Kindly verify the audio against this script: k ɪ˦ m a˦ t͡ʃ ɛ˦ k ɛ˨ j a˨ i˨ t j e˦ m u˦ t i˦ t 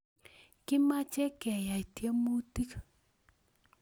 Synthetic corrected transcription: k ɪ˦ m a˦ t͡ʃ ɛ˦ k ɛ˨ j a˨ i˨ t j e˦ m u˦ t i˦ k